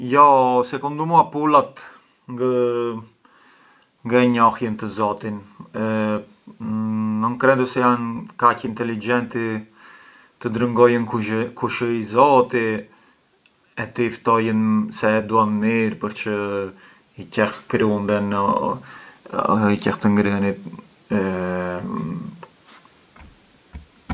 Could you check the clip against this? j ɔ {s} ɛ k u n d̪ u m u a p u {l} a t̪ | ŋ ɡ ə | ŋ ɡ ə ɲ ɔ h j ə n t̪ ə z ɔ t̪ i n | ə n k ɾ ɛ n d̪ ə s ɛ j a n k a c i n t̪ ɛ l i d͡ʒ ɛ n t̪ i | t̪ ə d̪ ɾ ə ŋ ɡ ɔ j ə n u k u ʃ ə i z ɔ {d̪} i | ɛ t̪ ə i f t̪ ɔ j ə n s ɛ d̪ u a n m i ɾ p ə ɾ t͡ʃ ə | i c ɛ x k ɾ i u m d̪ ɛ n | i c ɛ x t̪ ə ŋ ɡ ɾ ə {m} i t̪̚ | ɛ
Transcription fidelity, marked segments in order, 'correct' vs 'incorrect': correct, correct, incorrect, incorrect

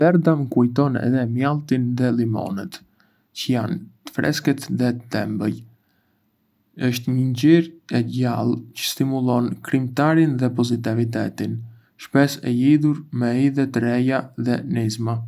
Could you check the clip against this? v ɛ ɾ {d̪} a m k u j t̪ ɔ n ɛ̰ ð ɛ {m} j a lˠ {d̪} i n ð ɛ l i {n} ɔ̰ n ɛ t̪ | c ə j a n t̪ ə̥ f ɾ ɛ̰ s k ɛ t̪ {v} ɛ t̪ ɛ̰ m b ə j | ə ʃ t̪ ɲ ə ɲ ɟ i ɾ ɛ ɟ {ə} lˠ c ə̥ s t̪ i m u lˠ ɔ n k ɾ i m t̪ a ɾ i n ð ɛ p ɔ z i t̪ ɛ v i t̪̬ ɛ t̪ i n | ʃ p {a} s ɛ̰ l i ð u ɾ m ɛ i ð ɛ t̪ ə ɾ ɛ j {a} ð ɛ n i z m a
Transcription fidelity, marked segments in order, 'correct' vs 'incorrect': correct, correct, incorrect, incorrect, incorrect, incorrect, incorrect, correct

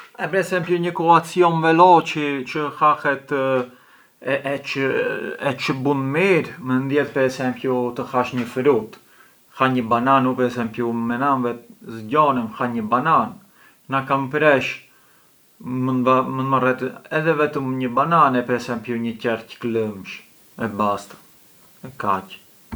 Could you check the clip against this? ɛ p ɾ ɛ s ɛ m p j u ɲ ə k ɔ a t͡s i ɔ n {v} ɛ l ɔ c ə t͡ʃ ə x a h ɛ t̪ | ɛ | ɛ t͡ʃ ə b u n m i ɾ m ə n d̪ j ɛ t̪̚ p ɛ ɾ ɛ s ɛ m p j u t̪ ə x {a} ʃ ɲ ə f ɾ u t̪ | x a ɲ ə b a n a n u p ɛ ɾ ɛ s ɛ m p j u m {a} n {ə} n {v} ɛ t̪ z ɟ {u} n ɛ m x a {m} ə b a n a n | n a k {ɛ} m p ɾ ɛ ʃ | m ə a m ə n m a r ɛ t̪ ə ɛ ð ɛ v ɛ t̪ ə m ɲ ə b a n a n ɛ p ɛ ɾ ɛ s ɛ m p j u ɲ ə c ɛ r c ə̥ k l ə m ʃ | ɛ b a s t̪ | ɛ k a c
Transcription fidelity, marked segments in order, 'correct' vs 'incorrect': correct, correct, incorrect, incorrect, correct, incorrect, incorrect, incorrect

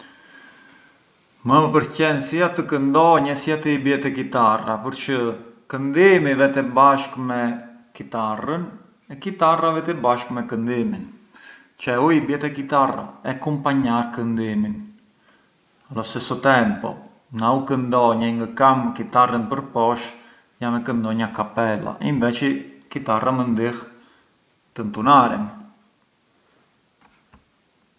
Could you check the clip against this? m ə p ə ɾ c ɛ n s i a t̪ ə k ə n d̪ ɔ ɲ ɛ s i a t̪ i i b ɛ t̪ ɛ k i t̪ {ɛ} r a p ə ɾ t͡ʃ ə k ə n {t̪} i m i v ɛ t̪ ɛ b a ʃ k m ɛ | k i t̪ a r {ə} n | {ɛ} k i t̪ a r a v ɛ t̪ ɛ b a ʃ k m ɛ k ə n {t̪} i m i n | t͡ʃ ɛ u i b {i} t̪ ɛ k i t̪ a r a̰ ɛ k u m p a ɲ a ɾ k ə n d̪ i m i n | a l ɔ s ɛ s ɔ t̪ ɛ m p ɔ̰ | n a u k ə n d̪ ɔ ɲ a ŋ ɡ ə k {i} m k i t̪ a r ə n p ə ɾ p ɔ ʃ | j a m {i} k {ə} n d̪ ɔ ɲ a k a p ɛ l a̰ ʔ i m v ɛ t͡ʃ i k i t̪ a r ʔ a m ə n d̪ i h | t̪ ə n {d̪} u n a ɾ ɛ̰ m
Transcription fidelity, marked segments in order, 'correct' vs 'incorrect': incorrect, incorrect, correct, correct, incorrect, incorrect, incorrect, incorrect, correct, incorrect

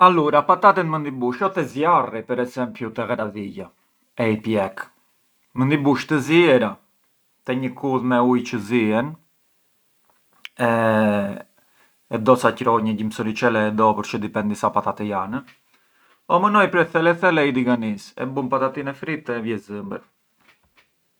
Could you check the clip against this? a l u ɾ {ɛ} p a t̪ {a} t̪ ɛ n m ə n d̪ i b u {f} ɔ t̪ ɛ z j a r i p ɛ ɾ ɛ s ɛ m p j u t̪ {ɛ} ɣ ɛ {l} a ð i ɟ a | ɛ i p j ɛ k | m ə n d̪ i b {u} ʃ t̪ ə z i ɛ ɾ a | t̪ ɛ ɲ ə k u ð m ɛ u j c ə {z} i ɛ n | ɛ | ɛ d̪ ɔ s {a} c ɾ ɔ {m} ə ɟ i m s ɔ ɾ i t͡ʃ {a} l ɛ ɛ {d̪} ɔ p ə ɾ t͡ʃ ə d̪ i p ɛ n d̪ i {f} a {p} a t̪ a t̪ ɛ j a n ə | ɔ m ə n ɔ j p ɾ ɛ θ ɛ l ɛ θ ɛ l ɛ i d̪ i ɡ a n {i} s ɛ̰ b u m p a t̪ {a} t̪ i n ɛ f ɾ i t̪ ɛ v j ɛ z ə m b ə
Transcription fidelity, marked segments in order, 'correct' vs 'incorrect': incorrect, correct, incorrect, correct, incorrect, correct, correct, correct, incorrect, incorrect, correct, incorrect, correct, correct, correct

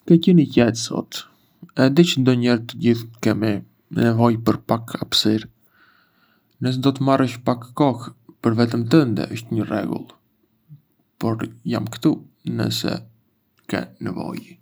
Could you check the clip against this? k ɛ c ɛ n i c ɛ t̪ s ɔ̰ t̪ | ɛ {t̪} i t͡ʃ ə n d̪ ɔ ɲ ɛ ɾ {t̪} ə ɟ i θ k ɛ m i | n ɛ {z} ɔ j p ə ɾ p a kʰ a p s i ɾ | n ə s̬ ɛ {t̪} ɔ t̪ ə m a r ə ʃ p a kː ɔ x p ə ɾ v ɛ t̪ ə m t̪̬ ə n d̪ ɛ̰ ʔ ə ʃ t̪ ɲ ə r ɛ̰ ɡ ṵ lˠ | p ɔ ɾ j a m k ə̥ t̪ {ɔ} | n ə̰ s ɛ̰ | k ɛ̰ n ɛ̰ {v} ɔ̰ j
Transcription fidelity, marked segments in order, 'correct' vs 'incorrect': incorrect, correct, incorrect, incorrect, incorrect, correct

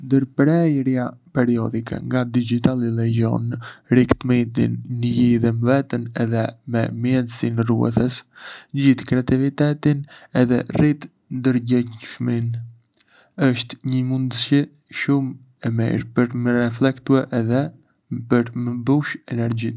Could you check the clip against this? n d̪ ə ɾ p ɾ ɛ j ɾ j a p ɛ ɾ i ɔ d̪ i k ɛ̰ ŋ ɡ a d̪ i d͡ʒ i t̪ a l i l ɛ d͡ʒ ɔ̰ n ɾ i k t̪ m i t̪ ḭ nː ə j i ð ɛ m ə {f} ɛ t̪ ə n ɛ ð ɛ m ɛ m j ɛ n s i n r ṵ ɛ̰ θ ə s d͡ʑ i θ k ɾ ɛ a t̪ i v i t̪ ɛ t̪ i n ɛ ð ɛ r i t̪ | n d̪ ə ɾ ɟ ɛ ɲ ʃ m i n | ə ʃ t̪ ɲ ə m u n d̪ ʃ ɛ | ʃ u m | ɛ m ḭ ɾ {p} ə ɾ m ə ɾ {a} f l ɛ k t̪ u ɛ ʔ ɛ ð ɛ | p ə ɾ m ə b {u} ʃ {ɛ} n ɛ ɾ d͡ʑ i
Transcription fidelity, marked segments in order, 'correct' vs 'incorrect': incorrect, correct, incorrect, correct, correct

